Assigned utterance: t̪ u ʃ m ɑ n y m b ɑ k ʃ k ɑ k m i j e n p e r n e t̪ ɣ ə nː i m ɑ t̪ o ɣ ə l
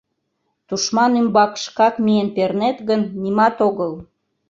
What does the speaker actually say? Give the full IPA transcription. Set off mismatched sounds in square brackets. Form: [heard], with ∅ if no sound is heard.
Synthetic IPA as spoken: t̪ u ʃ m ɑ n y m b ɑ k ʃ k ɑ k m i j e n p e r n e t̪ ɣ ə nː i m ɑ t̪ o ɣ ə l